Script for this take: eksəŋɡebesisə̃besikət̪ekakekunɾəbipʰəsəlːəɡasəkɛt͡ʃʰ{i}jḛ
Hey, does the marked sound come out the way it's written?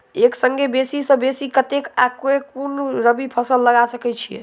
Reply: yes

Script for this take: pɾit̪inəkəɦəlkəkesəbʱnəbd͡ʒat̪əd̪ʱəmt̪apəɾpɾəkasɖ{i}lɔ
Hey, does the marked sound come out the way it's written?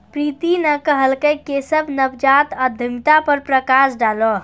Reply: no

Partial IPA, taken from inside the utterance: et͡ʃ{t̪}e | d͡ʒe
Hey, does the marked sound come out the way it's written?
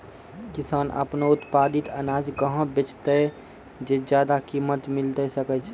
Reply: yes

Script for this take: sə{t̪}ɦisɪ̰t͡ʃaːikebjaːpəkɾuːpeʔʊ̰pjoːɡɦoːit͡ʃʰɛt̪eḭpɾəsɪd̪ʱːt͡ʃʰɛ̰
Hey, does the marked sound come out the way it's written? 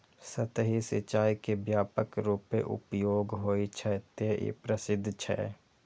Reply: yes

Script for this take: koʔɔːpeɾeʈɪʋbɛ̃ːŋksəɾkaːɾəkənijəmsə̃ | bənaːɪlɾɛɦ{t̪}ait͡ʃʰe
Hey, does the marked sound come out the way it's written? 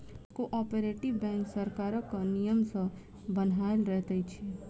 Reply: yes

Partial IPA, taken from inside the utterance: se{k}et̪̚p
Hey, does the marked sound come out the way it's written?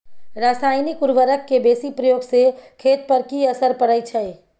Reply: no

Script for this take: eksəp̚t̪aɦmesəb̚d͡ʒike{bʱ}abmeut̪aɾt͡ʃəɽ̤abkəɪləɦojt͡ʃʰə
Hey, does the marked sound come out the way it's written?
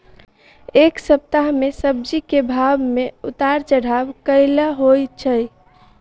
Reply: yes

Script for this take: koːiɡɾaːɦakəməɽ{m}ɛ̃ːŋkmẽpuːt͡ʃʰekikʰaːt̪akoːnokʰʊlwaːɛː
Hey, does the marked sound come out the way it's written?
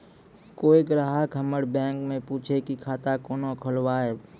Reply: no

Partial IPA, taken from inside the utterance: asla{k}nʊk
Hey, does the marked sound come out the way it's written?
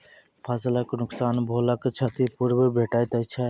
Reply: yes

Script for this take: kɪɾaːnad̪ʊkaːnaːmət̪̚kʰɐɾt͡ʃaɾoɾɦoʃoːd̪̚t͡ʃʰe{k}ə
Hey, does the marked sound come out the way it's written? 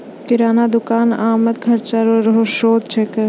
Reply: yes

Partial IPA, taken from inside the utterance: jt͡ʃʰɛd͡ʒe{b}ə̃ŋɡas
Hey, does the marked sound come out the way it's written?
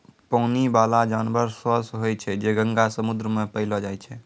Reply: no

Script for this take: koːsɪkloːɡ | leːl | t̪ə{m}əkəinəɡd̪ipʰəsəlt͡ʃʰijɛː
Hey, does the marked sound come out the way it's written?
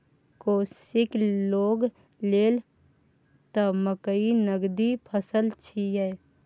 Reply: yes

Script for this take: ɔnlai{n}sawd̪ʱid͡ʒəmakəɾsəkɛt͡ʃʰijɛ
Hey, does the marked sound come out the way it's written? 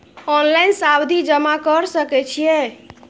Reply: yes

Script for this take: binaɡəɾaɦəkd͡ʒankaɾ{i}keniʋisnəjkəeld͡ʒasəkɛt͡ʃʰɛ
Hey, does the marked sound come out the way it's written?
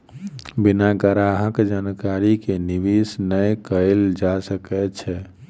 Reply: yes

